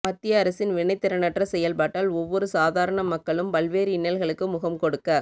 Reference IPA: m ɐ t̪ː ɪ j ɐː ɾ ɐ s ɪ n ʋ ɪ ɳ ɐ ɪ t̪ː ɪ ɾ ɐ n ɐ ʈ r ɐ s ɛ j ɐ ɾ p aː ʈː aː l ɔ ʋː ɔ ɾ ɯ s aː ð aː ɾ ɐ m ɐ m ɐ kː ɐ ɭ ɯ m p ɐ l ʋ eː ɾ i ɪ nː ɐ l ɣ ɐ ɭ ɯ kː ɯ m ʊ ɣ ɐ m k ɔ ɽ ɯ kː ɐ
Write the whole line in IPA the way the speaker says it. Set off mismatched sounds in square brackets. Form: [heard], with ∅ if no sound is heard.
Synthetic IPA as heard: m ɐ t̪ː ɪ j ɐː ɾ ɐ s ɪ n ʋ ɪ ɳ ɐ ɪ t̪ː ɪ ɾ ɐ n ɐ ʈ r ɐ s ɛ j ɐ [l] p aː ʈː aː l ɔ ʋː ɔ ɾ ɯ s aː ð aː ɾ ɐ [ɳ] ɐ m ɐ kː ɐ ɭ ɯ m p ɐ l ʋ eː ɾ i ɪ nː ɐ l ɣ ɐ ɭ ɯ kː ɯ m ʊ ɣ ɐ m k ɔ ɽ ɯ kː ɐ